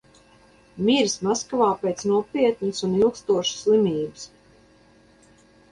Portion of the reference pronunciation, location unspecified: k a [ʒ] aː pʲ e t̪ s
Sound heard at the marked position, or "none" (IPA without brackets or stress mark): v